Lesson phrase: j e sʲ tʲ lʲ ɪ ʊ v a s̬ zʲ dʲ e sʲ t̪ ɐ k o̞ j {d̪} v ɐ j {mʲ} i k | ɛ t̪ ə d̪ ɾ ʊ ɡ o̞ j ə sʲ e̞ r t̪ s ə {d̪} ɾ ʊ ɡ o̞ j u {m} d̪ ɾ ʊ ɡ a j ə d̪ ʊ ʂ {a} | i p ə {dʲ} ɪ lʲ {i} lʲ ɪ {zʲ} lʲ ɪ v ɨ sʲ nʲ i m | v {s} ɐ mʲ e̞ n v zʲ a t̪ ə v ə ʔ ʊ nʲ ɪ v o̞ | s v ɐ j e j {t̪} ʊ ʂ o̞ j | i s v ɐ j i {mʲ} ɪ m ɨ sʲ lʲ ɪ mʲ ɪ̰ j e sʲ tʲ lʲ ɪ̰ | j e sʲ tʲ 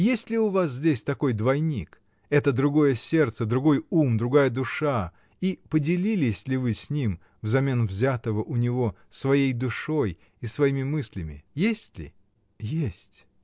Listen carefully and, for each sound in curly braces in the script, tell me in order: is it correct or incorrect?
correct, incorrect: nʲ, correct, correct, correct, correct, correct, incorrect: sʲ, incorrect: z, incorrect: d̪, correct

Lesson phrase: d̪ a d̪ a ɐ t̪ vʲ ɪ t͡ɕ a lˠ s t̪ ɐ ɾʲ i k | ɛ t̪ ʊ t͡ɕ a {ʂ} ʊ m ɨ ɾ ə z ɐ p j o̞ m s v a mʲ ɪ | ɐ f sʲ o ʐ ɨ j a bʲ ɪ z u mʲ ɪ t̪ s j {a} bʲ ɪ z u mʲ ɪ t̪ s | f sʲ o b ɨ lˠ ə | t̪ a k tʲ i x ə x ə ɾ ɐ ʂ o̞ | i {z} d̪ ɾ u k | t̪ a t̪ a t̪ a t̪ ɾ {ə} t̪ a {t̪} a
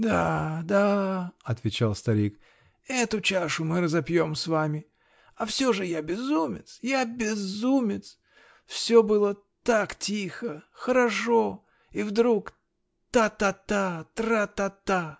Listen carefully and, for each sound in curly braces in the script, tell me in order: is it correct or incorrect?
correct, correct, incorrect: v, incorrect: a, correct

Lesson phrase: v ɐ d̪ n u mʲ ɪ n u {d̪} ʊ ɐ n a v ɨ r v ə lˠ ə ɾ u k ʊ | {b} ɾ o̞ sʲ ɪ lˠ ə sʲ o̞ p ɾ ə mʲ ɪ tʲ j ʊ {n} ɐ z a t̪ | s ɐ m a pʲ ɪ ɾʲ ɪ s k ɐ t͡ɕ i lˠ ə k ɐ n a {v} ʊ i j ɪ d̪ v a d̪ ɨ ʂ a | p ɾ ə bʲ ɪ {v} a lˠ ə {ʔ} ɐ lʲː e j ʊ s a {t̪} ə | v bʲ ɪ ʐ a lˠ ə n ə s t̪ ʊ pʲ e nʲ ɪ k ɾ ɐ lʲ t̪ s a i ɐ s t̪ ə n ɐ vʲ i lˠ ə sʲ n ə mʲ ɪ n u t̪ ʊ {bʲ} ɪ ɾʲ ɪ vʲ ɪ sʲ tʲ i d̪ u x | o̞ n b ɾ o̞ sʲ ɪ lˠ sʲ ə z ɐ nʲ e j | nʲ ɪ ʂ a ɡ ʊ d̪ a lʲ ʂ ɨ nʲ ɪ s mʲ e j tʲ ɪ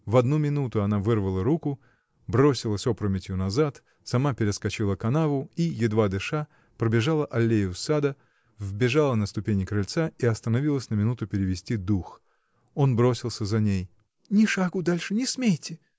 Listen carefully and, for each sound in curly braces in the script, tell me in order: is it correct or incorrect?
incorrect: t̪, correct, correct, correct, incorrect: ʐ, correct, incorrect: d̪, incorrect: pʲ

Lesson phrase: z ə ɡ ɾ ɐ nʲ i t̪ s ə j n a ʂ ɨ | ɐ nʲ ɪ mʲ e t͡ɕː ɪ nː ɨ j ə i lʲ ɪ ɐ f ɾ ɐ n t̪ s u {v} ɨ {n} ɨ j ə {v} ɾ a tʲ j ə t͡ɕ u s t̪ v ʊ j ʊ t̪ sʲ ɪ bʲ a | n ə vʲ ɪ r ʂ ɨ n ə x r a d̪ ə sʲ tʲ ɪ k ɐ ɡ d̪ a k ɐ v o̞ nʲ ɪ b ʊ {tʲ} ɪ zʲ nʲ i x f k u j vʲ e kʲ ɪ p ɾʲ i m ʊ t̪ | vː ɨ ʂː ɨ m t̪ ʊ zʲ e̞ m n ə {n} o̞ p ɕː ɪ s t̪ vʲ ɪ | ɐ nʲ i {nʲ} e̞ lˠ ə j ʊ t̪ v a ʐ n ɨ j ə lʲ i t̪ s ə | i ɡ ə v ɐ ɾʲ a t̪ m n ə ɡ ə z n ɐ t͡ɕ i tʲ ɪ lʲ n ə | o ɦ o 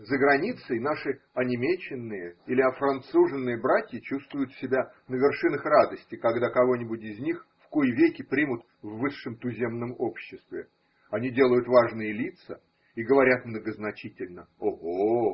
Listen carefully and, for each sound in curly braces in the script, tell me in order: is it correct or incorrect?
incorrect: ʐ, incorrect: nː, incorrect: b, correct, incorrect: m, incorrect: dʲ

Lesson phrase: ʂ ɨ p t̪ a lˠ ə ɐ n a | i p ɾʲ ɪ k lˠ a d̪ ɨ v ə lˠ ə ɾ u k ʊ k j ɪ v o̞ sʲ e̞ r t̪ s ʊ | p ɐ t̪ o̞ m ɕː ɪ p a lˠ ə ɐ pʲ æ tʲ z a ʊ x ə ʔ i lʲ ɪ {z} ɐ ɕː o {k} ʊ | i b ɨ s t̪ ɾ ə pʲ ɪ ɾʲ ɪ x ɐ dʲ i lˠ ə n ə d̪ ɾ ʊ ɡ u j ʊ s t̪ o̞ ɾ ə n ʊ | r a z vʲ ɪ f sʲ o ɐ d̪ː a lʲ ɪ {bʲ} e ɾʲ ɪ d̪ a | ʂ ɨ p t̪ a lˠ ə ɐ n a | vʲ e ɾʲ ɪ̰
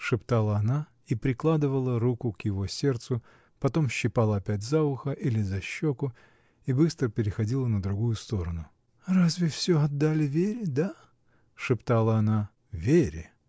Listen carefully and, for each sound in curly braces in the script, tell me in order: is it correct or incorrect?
correct, correct, incorrect: vʲ

